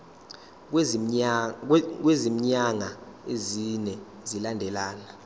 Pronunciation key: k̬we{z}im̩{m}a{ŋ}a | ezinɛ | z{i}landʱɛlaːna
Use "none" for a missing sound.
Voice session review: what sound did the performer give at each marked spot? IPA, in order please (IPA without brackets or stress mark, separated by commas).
z, ɲ, ŋ, i